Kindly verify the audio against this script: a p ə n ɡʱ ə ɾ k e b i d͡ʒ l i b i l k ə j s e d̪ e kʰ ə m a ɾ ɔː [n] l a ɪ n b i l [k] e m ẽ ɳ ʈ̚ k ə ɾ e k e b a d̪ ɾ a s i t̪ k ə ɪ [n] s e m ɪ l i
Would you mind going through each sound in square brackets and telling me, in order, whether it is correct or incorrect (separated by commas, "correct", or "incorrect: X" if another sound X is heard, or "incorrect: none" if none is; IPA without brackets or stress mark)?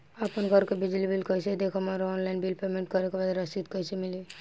correct, incorrect: p, incorrect: none